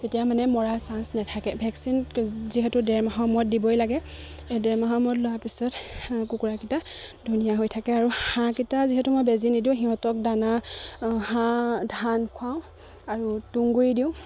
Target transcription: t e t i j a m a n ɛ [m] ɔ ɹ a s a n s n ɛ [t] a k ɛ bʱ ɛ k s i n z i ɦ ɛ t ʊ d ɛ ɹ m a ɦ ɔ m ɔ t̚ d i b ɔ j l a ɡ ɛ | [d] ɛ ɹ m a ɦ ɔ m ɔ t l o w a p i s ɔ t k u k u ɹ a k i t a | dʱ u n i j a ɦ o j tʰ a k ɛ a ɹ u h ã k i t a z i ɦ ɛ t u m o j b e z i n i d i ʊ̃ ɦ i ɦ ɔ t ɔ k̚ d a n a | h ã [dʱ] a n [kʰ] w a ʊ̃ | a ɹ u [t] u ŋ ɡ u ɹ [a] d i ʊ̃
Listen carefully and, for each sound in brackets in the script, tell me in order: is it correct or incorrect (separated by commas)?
correct, incorrect, correct, correct, correct, correct, incorrect